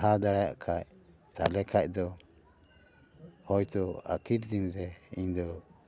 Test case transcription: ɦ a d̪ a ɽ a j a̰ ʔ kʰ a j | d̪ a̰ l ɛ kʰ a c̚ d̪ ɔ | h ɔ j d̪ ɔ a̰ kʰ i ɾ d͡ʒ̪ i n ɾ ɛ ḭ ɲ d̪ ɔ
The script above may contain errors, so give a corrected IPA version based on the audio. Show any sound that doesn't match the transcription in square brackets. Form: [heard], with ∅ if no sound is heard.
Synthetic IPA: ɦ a d̪ a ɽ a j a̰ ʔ kʰ a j | [t̪] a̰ l ɛ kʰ a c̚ d̪ ɔ | h ɔ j [t̪] ɔ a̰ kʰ i ɾ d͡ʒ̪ i n ɾ ɛ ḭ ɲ d̪ ɔ